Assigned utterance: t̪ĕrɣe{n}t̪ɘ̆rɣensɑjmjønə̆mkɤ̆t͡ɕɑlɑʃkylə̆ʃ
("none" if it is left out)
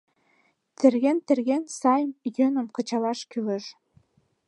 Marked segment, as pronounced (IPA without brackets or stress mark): n